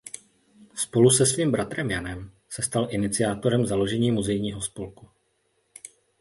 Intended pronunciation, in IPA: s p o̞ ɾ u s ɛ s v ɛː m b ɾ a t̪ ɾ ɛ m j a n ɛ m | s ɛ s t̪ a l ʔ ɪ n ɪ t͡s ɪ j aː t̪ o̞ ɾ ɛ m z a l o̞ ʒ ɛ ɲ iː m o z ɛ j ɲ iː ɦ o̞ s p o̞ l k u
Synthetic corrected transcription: s p o̞ l u s ɛ s v iː m b ɾ a t̪ ɾ ɛ m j a n ɛ m | s ɛ s t̪ a l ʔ ɪ n ɪ t͡s ɪ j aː t̪ o̞ ɾ ɛ m z a l o̞ ʒ ɛ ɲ iː m u z ɛ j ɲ iː ɦ o̞ s p o̞ l k u